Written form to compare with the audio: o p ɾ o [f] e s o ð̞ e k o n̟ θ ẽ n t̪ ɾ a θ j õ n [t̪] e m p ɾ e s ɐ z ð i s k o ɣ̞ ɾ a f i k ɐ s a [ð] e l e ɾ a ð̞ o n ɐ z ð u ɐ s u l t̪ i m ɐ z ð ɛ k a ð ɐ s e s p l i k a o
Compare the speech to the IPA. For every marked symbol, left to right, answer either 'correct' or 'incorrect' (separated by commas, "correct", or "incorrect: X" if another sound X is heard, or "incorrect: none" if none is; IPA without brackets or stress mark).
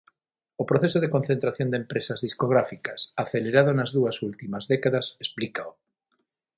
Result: incorrect: θ, incorrect: d̪, incorrect: θ